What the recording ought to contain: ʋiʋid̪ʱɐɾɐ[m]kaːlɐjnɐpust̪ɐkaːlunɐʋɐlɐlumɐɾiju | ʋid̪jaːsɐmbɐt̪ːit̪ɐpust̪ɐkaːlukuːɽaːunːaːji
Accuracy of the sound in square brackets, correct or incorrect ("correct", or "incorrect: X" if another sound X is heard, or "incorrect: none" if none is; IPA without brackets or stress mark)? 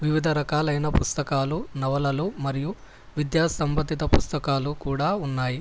incorrect: none